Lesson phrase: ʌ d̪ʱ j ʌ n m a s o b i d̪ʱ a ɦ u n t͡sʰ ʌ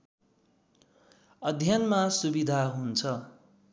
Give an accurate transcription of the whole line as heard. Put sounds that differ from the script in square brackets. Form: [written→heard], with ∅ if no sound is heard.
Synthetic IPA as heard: ʌ d̪ʱ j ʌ n m a s [o→u] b i d̪ʱ a ɦ u n t͡sʰ ʌ